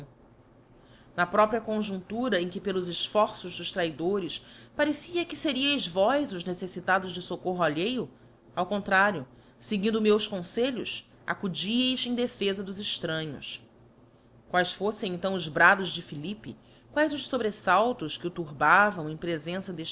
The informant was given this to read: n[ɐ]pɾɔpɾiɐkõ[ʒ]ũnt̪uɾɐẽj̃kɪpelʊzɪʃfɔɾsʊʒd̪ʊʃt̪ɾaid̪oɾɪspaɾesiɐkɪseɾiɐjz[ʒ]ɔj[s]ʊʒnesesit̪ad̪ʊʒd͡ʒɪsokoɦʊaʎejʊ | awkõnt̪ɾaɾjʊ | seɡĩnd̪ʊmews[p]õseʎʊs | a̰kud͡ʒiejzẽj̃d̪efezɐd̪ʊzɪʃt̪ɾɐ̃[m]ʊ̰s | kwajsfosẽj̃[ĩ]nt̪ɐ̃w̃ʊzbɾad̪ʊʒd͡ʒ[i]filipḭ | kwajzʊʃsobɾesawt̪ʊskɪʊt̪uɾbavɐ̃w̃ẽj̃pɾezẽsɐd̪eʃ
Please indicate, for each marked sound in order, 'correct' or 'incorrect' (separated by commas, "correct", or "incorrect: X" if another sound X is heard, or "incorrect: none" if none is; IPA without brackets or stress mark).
correct, correct, incorrect: v, incorrect: z, incorrect: k, incorrect: ɲ, incorrect: ẽ, incorrect: ɪ